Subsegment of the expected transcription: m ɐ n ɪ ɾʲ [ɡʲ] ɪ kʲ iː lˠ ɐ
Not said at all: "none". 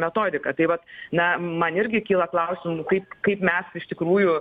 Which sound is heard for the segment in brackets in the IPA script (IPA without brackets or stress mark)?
ɡʲ